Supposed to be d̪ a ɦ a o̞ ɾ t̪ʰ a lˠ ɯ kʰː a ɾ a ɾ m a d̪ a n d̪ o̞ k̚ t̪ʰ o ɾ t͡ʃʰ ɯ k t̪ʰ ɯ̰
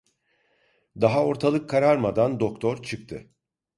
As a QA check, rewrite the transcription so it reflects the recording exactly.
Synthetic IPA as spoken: d̪ a ɦ a o̞ ɾ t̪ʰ a lˠ ɯ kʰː a ɾ a ɾ m a d̪ a n d̪ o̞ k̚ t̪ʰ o ɾ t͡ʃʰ ɯ k t̪ʰ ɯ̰

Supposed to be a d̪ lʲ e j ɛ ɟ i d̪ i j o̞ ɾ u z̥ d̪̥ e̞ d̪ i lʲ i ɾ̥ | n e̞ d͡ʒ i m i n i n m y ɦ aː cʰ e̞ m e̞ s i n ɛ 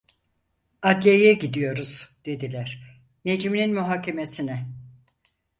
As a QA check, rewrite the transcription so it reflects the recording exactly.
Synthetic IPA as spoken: a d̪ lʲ e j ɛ ɟ i d̪ i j o̞ ɾ u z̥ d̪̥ e̞ d̪ i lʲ æ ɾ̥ | n e̞ d͡ʒ i m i n i n m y ɦ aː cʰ e̞ m e̞ s i n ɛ

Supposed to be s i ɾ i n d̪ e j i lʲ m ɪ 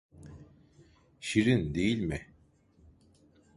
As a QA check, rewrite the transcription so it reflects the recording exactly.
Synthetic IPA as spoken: ʃ i ɾ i n d̪ e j i lʲ m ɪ

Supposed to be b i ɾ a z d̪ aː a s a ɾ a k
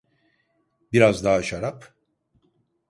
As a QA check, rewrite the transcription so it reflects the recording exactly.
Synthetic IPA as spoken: b i ɾ a z d̪ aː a ʃ a ɾ a p

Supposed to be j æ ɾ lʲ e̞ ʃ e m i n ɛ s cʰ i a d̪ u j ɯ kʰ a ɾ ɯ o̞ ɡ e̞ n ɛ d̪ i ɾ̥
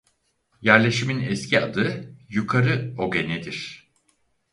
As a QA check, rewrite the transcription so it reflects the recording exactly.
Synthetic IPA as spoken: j æ ɾ lʲ e̞ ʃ i m i n ɛ s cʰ i a d̪ ɯ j u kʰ a ɾ ɯ o̞ ɡ e̞ n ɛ d̪ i ɾ̥

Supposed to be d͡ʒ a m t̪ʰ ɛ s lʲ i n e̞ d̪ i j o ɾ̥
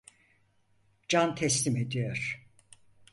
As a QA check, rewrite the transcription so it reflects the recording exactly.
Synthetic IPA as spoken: d͡ʒ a n t̪ʰ ɛ s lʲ i m e̞ d̪ i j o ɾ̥

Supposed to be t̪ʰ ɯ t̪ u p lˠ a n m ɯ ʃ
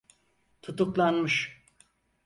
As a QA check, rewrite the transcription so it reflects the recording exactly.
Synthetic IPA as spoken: t̪ʰ u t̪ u k lˠ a n m ɯ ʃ

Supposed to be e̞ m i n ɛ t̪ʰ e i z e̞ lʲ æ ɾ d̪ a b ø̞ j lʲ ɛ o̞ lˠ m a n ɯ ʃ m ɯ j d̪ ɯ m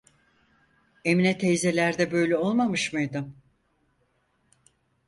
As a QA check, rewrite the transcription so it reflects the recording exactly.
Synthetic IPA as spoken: e̞ m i n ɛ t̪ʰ e j z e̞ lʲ æ ɾ d̪ ɛ b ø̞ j lʲ ɛ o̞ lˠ m a m ɯ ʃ m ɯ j d̪ ɯ m

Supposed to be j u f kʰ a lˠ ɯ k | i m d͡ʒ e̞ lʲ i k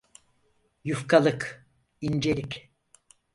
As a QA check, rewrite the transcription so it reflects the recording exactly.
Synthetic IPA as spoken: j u f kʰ a lˠ ɯ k | i n d͡ʒ e̞ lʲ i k

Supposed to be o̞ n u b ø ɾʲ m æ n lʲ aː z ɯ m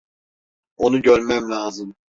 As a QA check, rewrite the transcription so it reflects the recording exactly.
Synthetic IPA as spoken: o̞ n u ɟ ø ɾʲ m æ m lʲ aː z ɯ m

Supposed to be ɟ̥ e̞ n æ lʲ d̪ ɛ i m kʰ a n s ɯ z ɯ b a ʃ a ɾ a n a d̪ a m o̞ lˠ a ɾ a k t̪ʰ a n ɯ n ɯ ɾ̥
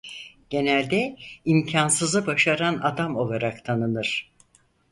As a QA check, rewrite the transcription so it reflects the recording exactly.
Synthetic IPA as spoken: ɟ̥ e̞ n æ lʲ d̪ ɛ i m cʰ a n s ɯ z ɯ b a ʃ a ɾ a n a d̪ a m o̞ lˠ a ɾ a k t̪ʰ a n ɯ n ɯ ɾ̥

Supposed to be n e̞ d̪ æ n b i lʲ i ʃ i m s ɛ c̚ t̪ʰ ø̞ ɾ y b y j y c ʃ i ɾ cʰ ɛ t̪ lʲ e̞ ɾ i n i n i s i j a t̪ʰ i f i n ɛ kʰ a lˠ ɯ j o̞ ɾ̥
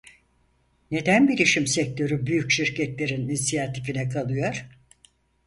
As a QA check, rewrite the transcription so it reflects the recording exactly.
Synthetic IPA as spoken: n e̞ d̪ æ n b i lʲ i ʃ i m s ɛ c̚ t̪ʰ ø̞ ɾ y b y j y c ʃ i ɾ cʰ ɛ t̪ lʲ e̞ ɾ i n i n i s i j a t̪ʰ i f i n ɛ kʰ a lˠ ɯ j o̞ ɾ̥

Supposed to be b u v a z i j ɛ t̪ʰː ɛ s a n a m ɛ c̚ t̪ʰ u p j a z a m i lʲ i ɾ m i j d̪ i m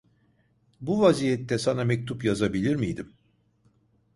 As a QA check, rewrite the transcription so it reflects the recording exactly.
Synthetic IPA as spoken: b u v a z i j ɛ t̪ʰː ɛ s a n a m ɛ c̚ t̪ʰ u p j a z a b i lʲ i ɾ m i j d̪ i m

